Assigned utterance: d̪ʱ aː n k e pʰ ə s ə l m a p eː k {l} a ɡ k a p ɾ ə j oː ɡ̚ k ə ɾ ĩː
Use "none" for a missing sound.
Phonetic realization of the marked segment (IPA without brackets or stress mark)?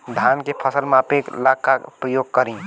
l